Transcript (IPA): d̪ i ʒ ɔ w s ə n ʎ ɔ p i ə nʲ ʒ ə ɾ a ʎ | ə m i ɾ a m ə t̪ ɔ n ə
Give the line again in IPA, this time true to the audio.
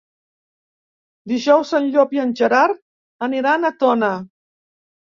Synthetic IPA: d̪ i ʒ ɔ w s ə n ʎ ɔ p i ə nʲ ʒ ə ɾ a ɾ | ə n i ɾ a n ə t̪ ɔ n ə